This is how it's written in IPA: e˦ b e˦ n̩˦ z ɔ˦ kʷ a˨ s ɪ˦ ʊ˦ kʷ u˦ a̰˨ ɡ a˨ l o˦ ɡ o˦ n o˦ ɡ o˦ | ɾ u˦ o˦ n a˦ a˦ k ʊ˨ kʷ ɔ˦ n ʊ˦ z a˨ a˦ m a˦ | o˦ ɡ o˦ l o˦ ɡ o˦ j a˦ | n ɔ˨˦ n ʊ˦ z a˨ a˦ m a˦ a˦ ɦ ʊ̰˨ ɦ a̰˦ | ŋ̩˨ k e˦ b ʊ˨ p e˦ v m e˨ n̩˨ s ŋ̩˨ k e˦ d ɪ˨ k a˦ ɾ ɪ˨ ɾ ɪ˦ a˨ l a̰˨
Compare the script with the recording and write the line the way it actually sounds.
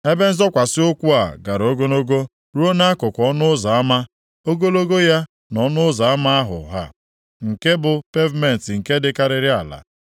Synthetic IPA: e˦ b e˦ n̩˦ z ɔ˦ kʷ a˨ s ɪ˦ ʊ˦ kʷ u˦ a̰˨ ɡ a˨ ɾ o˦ ɡ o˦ n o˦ ɡ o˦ | ɾ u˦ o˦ n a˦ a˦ k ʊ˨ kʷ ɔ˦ n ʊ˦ z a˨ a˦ m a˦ | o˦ ɡ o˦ l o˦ ɡ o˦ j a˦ | n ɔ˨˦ n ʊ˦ z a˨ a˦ m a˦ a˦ ɦ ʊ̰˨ ɦ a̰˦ | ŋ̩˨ k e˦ b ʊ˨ p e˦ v m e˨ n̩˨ t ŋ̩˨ k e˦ d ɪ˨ k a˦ ɾ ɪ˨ ɾ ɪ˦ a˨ l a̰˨